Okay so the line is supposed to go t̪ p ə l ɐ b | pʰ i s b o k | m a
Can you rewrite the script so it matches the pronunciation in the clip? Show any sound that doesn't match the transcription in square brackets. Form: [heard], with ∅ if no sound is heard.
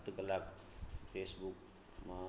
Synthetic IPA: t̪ [k] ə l [a] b | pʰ [e] s b [u] k | m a

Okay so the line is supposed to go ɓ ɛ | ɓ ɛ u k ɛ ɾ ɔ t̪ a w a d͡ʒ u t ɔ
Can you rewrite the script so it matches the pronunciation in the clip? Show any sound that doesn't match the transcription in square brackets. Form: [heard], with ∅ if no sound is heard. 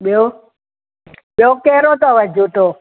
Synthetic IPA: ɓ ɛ | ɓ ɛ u k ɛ ɾ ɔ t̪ a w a d͡ʒ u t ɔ

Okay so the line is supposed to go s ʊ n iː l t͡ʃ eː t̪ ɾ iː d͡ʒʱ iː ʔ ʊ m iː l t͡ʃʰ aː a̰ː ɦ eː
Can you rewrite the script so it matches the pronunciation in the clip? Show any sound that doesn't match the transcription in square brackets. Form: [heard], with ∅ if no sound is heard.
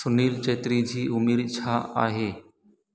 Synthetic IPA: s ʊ n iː l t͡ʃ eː t̪ ɾ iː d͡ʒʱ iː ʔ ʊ m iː [ɾ] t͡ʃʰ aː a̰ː ɦ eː

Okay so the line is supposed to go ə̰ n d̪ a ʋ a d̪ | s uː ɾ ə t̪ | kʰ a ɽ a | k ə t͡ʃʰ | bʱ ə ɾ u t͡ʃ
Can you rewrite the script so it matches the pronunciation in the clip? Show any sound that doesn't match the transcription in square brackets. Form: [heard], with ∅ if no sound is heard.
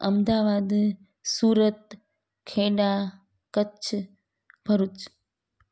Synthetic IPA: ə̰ [m] d̪ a ʋ a d̪ | s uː ɾ ə t̪ | kʰ [e] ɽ a | k ə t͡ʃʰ | bʱ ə ɾ u t͡ʃ

